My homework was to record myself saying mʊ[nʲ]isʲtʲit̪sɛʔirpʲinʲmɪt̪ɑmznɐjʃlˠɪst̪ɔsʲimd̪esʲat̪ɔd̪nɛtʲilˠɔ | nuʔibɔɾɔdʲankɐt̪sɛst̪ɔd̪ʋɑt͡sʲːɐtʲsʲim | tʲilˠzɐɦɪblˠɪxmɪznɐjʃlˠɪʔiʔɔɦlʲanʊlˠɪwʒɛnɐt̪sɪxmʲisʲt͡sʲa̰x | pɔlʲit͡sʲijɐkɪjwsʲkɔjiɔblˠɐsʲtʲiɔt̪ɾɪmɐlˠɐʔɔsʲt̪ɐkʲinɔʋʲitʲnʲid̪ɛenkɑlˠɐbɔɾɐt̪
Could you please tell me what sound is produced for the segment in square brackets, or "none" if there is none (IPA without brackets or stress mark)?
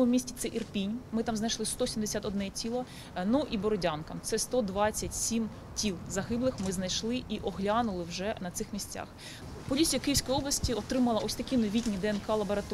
mʲ